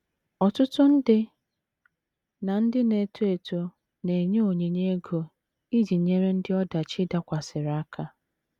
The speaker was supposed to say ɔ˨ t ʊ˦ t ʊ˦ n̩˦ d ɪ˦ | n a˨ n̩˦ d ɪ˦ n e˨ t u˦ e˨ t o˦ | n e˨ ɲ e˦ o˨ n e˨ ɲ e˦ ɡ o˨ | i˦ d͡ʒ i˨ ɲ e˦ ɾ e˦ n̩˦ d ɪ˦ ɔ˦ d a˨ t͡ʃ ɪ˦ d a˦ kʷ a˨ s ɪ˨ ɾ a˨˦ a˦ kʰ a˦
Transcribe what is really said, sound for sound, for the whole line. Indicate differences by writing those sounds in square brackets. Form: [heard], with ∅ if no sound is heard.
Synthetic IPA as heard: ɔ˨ t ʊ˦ t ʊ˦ n̩˦ d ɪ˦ | n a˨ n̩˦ d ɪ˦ n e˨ t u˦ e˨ t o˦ | n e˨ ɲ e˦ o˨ [ɲ] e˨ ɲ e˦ ɡ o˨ | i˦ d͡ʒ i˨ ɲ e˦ ɾ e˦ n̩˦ d ɪ˦ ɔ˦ d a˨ t͡ʃ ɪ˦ d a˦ kʷ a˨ s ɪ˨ ɾ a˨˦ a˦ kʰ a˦